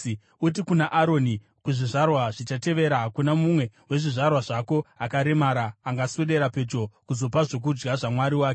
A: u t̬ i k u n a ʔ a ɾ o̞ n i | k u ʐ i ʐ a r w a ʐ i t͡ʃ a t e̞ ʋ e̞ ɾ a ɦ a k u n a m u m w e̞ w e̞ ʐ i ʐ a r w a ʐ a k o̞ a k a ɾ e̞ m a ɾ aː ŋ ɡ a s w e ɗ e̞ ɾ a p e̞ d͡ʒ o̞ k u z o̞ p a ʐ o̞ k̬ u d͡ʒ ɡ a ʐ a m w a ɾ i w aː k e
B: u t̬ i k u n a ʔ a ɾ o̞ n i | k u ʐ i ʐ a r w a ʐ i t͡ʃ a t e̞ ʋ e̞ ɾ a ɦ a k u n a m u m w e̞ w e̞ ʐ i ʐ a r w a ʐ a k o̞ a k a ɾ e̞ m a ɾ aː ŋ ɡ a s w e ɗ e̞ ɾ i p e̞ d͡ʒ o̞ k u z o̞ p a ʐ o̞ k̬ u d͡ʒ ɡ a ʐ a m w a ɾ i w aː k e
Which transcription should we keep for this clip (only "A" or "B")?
A